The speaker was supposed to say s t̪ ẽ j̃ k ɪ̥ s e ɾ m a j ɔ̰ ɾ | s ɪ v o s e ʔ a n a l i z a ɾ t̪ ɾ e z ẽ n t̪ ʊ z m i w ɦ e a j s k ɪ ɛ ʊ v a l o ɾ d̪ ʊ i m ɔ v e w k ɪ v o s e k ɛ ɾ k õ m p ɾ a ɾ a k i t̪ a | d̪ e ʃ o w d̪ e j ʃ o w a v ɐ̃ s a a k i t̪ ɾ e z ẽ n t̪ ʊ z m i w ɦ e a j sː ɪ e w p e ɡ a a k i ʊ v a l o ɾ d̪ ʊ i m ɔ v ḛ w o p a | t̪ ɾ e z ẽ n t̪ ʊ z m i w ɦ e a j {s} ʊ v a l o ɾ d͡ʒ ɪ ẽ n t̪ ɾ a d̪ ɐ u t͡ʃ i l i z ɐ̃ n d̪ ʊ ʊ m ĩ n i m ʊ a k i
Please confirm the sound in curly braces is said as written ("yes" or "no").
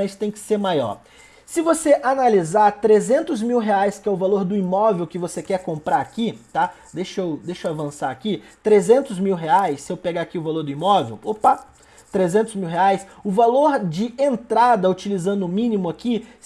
yes